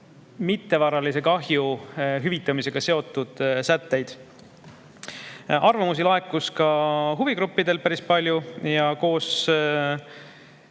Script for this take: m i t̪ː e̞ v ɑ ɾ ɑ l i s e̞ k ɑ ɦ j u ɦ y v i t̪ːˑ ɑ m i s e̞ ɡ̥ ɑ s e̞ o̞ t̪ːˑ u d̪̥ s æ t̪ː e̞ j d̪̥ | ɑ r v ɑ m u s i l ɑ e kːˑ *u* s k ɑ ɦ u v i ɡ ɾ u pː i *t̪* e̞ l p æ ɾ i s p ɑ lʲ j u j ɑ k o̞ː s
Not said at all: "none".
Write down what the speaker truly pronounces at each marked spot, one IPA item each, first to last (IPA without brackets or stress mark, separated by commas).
u, d̪